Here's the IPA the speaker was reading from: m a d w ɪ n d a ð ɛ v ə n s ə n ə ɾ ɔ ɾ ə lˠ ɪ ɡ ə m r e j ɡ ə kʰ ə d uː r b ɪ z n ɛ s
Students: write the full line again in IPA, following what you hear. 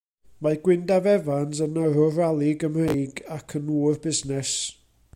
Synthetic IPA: m a ɡ w ɪ n d a v ɛ v a n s ə n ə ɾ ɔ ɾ a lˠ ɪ ɡ ə m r e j ɡ a kʰ ə n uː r b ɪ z n ɛ s